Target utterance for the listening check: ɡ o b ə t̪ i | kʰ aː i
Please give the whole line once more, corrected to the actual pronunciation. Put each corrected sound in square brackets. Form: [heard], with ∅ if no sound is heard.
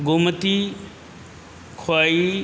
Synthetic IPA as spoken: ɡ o [m] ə t̪ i | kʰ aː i